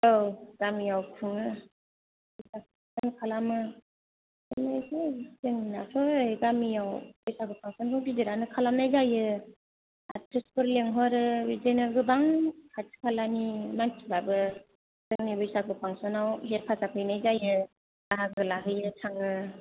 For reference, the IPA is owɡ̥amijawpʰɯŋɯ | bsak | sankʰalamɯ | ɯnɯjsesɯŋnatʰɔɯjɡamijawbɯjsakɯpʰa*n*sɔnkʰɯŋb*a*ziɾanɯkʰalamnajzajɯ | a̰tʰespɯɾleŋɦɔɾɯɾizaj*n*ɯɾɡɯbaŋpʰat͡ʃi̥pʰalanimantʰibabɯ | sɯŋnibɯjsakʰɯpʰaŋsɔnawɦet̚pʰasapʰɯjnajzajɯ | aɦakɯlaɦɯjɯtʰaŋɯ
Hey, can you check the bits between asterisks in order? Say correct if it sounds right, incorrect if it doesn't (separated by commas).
incorrect, incorrect, correct